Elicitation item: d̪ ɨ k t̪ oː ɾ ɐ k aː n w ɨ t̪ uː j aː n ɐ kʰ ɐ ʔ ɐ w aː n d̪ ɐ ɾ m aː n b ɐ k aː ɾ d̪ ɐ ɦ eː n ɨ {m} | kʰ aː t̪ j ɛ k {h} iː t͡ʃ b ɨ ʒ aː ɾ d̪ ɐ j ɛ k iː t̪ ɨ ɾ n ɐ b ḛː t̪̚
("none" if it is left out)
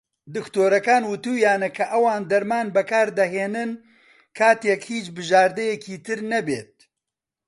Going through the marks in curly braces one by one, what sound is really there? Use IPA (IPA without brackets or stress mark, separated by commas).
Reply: n, h